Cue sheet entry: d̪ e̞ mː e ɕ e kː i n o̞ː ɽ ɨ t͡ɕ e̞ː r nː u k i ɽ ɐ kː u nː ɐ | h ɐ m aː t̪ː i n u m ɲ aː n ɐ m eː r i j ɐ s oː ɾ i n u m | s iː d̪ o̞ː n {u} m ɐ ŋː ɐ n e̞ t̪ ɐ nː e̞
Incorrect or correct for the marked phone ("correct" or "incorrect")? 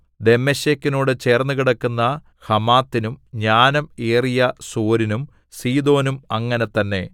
correct